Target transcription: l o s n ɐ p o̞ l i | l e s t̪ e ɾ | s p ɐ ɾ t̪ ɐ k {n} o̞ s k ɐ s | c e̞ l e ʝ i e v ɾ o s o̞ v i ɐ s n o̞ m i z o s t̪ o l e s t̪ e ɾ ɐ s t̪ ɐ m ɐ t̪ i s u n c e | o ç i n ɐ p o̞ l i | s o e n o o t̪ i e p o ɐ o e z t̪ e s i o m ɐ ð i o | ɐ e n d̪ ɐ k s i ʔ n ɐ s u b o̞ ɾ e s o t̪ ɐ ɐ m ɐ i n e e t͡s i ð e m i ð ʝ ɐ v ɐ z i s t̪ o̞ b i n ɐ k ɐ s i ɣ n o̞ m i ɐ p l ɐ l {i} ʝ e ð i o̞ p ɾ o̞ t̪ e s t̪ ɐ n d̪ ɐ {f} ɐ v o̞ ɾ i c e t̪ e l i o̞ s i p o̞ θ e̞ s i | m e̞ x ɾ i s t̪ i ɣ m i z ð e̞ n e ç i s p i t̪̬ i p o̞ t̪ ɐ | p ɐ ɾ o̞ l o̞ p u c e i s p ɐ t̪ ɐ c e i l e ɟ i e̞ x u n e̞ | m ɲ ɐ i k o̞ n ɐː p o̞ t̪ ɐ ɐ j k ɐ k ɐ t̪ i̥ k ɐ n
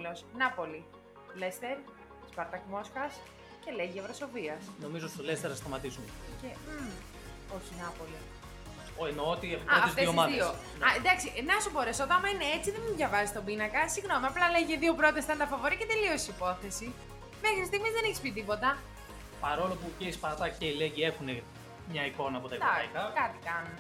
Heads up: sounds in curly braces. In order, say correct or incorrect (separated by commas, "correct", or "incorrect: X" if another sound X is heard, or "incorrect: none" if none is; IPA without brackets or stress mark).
incorrect: m, incorrect: e, correct